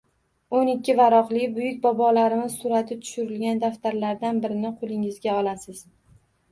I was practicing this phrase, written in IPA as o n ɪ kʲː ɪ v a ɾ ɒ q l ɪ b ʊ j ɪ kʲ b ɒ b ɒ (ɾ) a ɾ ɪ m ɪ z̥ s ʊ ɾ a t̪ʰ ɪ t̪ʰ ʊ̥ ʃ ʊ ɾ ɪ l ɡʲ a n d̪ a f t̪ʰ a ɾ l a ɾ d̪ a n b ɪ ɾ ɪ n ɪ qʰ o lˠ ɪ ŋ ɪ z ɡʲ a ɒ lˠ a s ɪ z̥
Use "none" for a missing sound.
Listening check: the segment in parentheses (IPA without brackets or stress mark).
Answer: l